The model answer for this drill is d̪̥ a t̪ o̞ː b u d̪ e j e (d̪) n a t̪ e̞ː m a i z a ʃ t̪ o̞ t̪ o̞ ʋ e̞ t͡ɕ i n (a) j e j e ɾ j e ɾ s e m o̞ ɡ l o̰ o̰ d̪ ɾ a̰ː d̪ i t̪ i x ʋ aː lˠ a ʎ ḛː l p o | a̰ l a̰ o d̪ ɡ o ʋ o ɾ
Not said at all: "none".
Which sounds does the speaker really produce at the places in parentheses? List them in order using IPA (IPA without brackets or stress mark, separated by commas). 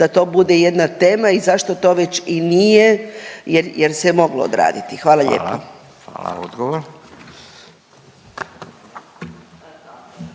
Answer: d̪, i